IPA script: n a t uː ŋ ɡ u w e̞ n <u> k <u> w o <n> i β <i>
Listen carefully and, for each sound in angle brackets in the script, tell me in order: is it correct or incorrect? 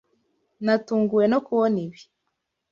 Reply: incorrect: o, correct, correct, correct

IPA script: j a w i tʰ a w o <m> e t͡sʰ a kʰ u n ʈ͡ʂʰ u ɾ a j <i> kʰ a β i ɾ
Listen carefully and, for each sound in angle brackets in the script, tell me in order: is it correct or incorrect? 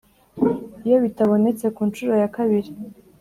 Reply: incorrect: n, incorrect: a

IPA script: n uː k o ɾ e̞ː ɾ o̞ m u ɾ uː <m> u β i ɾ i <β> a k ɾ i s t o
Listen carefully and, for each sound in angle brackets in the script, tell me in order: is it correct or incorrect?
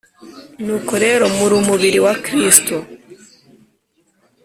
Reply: correct, incorrect: w

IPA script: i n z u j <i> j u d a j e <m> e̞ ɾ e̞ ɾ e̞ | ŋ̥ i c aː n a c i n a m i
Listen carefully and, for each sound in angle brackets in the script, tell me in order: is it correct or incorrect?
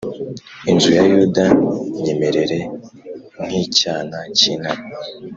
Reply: incorrect: a, correct

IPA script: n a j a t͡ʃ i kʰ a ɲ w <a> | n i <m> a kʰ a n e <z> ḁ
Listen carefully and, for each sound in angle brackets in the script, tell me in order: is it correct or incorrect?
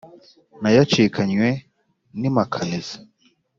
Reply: incorrect: e, correct, correct

